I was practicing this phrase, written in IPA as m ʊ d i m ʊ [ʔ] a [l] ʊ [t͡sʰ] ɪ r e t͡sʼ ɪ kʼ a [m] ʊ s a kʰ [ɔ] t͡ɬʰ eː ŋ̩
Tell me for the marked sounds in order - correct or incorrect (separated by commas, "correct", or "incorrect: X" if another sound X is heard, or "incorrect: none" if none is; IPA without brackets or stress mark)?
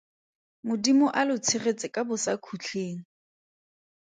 correct, correct, correct, incorrect: b, incorrect: u